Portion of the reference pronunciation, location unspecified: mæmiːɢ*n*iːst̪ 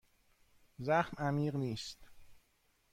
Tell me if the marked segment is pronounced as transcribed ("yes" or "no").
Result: yes